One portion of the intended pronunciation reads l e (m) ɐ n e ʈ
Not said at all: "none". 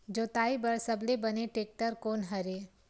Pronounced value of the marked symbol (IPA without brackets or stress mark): b